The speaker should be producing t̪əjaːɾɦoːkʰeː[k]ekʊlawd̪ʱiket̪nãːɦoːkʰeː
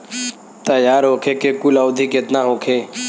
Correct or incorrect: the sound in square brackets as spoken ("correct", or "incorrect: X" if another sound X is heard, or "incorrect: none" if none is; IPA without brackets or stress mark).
correct